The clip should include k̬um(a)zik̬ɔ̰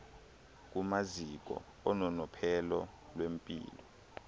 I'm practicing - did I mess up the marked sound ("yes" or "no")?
no